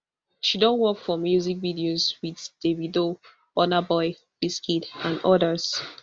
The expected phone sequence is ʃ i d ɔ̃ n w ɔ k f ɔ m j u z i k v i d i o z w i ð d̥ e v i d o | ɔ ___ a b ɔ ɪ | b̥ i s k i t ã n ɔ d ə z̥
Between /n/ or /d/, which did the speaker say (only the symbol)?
n